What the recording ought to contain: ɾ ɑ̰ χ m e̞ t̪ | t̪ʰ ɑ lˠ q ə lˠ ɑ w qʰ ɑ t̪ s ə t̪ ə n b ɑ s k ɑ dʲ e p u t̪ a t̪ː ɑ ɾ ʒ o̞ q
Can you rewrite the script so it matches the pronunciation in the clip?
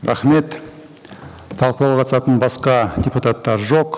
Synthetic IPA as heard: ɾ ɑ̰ χ m e̞ t̪ | t̪ʰ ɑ lˠ q ə lˠ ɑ w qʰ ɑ t̪ s ɑ t̪ ə n b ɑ s q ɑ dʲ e p u t̪ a t̪ː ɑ ɾ ʒ o̞ q

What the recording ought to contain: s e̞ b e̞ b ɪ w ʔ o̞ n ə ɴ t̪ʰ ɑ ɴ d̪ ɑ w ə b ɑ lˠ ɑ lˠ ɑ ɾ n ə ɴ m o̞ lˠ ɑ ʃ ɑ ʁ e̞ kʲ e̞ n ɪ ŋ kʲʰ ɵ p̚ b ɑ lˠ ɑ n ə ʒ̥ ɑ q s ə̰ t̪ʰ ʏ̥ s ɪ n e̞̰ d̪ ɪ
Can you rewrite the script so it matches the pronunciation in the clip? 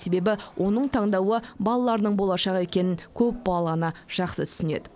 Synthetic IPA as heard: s e̞ b e̞ b ɪ w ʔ o̞ n ə ɴ t̪ʰ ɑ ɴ d̪ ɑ w ə b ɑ lˠ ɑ lˠ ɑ ɾ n ə ɴ b o̞ lˠ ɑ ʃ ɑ ʁ e̞ kʲ e̞ n ɪ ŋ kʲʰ ɵ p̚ b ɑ lˠ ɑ n ə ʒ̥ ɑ q s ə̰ t̪ʰ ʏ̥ s ɪ n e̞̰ d̪ ɪ

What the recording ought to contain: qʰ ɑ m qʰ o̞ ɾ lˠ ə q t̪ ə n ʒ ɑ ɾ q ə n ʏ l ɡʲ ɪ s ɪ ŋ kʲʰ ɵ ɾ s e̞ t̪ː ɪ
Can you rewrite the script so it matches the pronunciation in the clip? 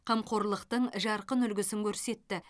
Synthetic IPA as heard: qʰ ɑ m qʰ o̞ ɾ lˠ ə q t̪ ə ɴ ʒ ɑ ɾ q ə n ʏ l ɡʲ ɪ s ɪ ŋ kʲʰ ɵ ɾ s e̞ t̪ː ɪ

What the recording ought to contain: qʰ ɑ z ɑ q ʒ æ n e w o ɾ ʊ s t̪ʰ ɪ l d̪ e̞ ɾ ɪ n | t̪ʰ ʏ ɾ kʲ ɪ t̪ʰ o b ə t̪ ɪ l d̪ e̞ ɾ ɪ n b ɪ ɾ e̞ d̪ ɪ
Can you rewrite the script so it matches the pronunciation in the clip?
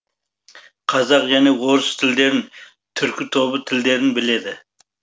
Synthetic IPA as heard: qʰ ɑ z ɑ q ʒ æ n e w o ɾ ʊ s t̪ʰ ɪ l d̪ e̞ ɾ ɪ n | t̪ʰ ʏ ɾ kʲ ɪ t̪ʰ o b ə t̪ʰ ɪ l d̪ e̞ ɾ ɪ n b ɪ l e̞ d̪ ɪ

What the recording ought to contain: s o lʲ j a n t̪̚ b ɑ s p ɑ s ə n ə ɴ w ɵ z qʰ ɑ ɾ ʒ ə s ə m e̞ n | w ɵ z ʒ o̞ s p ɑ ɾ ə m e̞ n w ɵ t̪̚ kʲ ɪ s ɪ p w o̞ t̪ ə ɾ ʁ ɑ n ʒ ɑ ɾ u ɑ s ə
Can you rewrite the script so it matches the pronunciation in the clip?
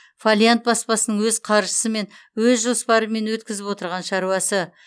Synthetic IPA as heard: f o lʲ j a n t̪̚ b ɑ s p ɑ s ə n ə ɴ w ɵ z qʰ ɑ ɾ ʒ ə s ə m e̞ n | w ɵ z ʒ o̞ s p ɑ ɾ ə m e̞ n w ɵ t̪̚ kʲ ɪ z ɪ p w o̞ t̪ ə ɾ ʁ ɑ n ʃ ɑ ɾ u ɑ s ə

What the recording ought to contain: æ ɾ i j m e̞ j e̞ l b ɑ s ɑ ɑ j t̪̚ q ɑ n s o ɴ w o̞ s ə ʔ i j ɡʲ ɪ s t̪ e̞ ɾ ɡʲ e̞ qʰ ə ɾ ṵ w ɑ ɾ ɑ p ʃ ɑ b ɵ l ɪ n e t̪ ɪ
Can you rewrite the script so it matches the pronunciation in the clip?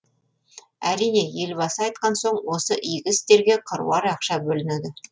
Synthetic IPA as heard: æ ɾ i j n e̞ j e̞ l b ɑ s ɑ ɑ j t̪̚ q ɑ n s o ɴ w o̞ s ə ʔ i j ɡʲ ɪ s t̪ e̞ ɾ ɡʲ e̞ qʰ ə ɾ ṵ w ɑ ɾ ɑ q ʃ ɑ b ɵ l ɪ n e d̪ ɪ

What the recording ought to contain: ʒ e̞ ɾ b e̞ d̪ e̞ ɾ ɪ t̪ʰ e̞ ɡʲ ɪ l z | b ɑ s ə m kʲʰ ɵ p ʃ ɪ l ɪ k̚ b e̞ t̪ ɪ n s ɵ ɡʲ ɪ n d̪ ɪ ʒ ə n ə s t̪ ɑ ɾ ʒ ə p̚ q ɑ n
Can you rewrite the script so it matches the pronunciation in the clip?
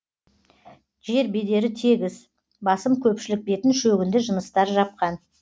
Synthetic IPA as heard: ʒ e̞ ɾ b e̞ d̪ e̞ ɾ ɪ t̪ʰ e̞ ɡʲ ɪ z | b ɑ s ə m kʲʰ ɵ p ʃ ɪ l ɪ k̚ b e̞ t̪ ɪ n ʃ ɵ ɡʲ ɪ n d̪ ɪ ʒ ə n ə s t̪ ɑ ɾ ʒ ɑ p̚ q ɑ n

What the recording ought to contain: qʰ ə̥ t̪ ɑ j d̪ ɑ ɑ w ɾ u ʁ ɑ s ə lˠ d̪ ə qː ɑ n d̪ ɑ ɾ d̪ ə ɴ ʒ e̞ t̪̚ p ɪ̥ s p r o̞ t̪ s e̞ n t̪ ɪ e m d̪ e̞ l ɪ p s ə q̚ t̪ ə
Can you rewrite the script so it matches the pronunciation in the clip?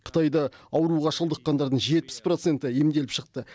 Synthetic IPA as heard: qʰ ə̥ t̪ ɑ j d̪ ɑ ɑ w ɾ u ʁ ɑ ʃ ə lˠ d̪ ə qː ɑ n d̪ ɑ ɾ d̪ ə ɴ ʒ e̞ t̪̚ p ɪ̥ s p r o̞ t̪ s e̞ n t̪ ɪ e m d̪ e̞ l ɪ p ʃ ə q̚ t̪ ə

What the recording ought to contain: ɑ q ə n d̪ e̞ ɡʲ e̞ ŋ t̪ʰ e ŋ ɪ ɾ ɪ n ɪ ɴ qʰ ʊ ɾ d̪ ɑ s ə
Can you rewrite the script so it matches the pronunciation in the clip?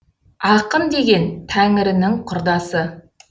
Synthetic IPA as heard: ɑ q ə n d̪ e̞ ɡʲ e̞ n t̪ʰ æ ŋ ɪ ɾ ɪ n ɪ ŋ qʰ ʊ ɾ d̪ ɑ s ə

